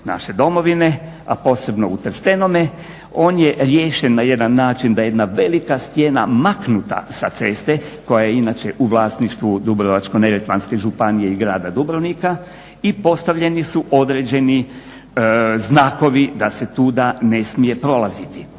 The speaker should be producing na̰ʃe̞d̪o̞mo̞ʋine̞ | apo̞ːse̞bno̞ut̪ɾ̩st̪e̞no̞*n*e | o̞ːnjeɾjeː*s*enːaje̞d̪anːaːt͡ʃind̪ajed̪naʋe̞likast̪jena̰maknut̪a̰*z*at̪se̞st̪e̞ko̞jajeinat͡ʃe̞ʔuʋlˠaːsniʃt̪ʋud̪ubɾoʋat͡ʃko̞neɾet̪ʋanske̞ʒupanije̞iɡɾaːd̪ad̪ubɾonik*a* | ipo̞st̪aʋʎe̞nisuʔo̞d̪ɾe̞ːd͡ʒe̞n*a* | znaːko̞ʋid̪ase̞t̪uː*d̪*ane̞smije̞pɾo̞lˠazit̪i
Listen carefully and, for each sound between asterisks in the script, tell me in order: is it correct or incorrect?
incorrect: m, incorrect: ʃ, incorrect: s, correct, incorrect: i, correct

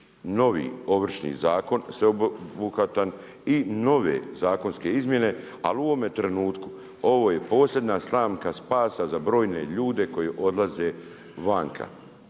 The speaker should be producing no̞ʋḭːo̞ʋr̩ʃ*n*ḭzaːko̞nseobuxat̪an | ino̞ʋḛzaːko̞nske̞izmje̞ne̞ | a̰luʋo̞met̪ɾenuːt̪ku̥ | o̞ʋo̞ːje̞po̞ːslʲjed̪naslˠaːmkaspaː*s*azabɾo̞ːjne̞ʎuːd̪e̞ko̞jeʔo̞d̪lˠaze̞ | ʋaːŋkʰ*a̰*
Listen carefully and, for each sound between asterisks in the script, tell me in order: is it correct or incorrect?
correct, correct, correct

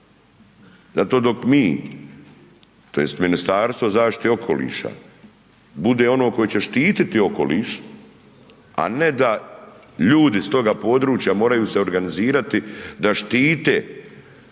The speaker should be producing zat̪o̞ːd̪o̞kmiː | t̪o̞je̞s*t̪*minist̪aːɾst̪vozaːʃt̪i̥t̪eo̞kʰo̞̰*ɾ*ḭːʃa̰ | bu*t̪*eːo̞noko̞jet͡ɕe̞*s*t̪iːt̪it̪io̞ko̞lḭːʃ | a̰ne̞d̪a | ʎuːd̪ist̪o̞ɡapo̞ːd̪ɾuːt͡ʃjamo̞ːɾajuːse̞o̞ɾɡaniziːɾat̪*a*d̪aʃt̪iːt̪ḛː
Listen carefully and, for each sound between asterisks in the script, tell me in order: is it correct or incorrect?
correct, incorrect: l, incorrect: d̪, incorrect: ʃ, incorrect: i

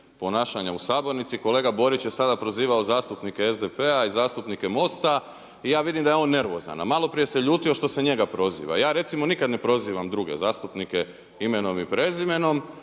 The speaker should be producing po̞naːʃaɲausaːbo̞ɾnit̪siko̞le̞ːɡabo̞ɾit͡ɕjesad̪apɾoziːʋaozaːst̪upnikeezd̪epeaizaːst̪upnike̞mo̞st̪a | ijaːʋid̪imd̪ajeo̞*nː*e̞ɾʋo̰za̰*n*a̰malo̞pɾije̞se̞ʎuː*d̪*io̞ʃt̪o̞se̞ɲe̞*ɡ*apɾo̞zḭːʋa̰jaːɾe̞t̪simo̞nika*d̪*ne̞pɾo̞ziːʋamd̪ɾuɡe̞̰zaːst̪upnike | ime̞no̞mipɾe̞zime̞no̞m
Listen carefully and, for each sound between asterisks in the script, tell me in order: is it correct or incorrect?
correct, correct, incorrect: t̪, correct, correct

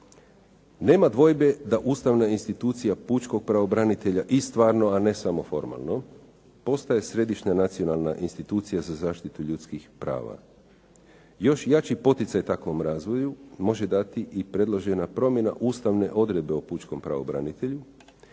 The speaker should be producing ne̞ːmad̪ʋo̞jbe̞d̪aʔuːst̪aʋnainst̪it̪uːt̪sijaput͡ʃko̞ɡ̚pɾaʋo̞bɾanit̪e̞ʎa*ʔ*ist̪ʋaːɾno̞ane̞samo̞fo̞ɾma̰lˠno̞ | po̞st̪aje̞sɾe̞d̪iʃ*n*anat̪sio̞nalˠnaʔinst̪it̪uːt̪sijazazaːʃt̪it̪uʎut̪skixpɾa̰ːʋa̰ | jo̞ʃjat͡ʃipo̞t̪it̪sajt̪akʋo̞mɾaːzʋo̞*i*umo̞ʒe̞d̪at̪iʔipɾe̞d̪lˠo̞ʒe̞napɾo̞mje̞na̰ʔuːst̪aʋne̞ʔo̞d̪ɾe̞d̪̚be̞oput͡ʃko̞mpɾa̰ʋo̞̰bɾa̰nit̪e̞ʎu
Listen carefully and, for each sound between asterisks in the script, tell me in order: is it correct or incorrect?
correct, incorrect: ɲ, incorrect: j

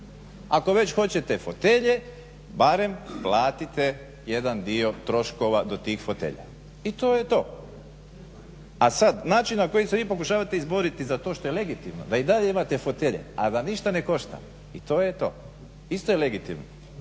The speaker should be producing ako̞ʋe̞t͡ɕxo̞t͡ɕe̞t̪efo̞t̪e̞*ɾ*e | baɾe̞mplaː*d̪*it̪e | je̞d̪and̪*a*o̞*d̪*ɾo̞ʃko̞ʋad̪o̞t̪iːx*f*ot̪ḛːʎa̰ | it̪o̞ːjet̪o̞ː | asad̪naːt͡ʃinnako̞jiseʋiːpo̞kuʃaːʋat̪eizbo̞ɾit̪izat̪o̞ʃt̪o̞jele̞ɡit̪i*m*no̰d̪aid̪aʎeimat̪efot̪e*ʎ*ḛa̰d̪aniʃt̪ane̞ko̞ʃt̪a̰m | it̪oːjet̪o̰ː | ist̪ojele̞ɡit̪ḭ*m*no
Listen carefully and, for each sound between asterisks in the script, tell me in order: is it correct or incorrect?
incorrect: ʎ, incorrect: t̪, incorrect: i, incorrect: t̪, correct, correct, correct, correct

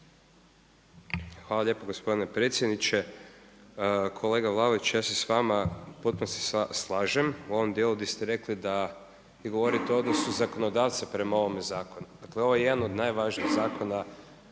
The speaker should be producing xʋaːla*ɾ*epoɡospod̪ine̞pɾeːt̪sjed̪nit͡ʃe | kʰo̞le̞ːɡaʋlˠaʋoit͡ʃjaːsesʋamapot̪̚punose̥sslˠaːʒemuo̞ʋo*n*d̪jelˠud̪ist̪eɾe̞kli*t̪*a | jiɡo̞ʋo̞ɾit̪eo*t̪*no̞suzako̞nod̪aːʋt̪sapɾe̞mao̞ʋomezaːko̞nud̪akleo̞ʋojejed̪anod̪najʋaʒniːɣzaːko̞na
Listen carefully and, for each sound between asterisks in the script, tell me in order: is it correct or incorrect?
incorrect: ʎ, incorrect: m, incorrect: d̪, incorrect: d̪

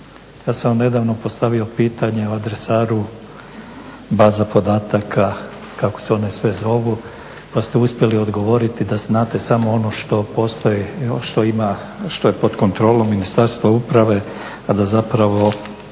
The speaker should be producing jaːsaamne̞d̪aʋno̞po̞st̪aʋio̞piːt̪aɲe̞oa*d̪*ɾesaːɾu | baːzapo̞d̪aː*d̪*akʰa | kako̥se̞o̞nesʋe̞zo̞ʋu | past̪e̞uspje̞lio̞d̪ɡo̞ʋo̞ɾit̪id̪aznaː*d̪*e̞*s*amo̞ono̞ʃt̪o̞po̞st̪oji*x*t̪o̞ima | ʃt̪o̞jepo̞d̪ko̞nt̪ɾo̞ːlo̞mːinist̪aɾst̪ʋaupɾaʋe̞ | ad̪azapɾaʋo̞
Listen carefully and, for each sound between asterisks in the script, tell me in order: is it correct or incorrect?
correct, incorrect: t̪, incorrect: t̪, correct, incorrect: ʃ

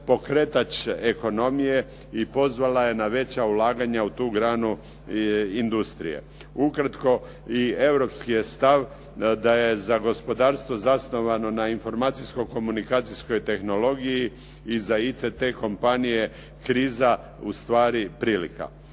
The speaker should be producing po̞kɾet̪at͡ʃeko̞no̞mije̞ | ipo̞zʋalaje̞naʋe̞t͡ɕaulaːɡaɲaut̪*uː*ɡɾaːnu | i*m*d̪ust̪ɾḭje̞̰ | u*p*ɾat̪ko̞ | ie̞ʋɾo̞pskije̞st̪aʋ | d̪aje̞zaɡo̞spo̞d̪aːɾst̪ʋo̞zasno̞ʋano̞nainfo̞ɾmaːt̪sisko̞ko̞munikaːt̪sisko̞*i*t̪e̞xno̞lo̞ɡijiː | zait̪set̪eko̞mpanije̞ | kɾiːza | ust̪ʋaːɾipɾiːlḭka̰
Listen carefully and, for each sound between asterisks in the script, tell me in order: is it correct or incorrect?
correct, incorrect: n, incorrect: k, incorrect: j

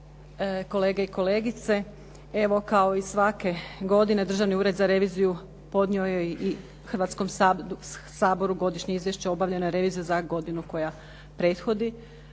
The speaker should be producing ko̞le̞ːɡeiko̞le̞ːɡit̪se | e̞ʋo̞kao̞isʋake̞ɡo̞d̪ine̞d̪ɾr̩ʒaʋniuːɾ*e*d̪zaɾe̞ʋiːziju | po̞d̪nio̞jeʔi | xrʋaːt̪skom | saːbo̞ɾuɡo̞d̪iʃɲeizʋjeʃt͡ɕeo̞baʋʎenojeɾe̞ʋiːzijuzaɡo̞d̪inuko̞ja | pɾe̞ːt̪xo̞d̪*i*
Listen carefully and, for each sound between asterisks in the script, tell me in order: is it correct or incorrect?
correct, correct

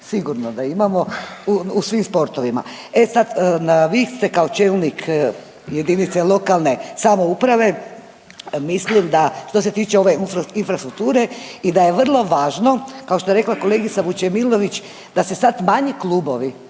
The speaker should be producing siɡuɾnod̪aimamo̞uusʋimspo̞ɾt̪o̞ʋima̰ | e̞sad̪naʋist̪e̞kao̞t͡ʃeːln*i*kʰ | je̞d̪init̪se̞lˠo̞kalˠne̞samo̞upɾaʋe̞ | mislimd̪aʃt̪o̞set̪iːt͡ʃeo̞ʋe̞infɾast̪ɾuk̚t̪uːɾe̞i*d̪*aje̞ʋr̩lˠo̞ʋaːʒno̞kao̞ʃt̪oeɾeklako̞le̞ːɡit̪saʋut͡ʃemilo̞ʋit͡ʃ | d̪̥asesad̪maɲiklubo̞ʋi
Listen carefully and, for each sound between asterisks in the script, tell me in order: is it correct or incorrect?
correct, correct

